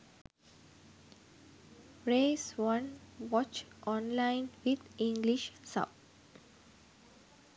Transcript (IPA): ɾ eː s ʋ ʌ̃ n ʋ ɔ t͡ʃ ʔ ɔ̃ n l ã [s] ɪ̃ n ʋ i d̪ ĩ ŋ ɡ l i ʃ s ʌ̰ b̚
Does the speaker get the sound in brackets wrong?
yes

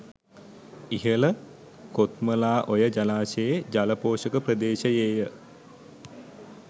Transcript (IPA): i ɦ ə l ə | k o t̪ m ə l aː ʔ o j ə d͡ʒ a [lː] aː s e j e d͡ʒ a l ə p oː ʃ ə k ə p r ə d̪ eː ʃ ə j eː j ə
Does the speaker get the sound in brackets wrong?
yes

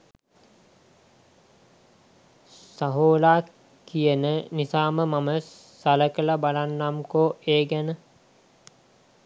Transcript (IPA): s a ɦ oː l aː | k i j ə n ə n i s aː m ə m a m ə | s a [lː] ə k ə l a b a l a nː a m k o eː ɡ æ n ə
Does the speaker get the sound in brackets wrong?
yes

